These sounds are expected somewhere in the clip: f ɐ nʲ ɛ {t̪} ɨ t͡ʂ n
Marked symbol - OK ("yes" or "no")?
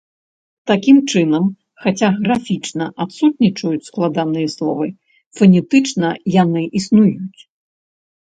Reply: yes